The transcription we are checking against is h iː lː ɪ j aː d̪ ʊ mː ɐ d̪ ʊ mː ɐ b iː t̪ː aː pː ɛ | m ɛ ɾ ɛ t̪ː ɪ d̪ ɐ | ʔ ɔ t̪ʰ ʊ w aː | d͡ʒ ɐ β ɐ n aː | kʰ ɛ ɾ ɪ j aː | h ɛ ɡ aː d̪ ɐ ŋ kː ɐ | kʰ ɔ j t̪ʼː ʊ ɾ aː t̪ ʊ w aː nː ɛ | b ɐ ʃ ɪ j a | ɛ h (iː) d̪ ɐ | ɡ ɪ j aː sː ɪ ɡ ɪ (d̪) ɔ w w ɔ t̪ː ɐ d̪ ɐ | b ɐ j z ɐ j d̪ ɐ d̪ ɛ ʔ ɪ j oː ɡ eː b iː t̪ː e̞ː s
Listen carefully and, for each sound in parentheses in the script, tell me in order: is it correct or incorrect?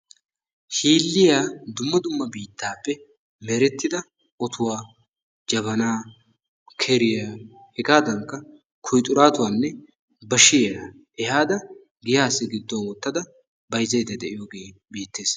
incorrect: aː, incorrect: d̪ː

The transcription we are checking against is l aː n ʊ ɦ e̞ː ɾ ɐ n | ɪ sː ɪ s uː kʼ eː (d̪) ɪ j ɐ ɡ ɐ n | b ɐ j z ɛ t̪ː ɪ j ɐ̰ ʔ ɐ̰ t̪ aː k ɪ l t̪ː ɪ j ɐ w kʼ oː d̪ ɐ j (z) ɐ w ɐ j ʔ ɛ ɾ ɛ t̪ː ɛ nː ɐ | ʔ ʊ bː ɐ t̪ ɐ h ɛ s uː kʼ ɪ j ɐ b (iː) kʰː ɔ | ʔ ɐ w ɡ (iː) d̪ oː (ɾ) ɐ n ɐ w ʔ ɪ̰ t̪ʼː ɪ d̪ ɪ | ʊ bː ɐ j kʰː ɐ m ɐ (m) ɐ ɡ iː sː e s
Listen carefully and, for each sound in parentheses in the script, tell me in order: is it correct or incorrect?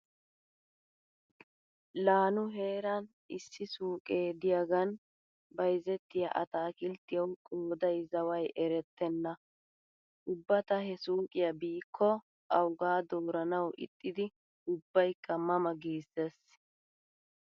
correct, correct, correct, incorrect: aː, correct, correct

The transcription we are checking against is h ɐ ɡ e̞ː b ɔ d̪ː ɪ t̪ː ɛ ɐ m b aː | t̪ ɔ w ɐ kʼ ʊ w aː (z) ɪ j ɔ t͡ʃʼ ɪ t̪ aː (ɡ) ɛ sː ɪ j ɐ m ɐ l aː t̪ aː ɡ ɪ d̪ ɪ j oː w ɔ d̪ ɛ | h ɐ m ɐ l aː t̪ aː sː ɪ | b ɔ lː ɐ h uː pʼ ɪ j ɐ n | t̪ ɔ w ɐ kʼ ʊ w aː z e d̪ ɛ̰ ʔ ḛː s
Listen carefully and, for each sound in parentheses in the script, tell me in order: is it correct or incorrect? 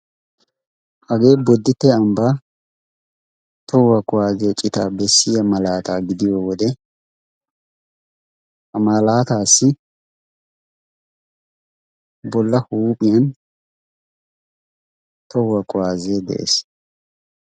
correct, incorrect: b

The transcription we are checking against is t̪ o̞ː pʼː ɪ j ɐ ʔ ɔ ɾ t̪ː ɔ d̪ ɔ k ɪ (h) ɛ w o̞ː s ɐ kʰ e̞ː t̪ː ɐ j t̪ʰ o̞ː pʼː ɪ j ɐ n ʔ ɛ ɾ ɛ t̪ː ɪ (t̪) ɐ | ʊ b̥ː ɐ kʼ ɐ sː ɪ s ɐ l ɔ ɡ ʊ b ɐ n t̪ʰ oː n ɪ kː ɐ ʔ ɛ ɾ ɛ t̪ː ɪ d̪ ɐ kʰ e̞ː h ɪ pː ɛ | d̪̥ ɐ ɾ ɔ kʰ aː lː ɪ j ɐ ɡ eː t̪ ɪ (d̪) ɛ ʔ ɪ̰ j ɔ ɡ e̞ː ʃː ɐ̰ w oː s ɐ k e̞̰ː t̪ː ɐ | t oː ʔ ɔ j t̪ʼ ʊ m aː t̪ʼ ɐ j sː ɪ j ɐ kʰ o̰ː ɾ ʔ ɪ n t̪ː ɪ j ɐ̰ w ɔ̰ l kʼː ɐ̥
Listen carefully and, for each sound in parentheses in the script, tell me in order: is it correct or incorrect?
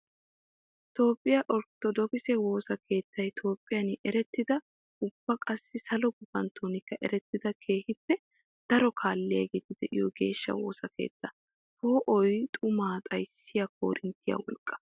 incorrect: s, incorrect: d̪, correct

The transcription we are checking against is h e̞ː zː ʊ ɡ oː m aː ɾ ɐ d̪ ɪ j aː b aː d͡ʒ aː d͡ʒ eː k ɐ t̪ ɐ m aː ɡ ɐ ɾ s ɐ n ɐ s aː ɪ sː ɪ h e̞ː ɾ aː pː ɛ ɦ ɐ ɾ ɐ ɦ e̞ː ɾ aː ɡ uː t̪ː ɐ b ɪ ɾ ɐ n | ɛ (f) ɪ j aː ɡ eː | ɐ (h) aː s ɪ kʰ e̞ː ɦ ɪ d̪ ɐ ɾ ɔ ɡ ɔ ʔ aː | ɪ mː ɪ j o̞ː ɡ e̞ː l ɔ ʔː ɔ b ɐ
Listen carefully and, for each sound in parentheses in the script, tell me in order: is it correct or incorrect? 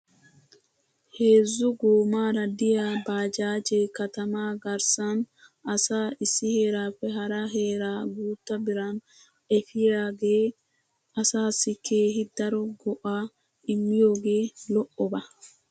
correct, incorrect: s

